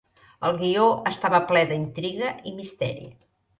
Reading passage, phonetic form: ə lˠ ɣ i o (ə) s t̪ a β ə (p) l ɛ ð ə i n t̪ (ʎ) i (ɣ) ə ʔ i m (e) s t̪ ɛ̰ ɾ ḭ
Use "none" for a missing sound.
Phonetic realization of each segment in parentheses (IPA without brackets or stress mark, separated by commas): ə, p, ɾ, ɣ, i